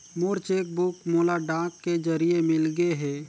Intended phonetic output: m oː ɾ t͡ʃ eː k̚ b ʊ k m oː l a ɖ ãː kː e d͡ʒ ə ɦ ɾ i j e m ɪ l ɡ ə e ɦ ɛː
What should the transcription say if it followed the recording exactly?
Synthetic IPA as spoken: m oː ɾ t͡ʃ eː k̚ b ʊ k m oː l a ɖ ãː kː e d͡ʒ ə ɾ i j e m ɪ l ɡ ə e ɦ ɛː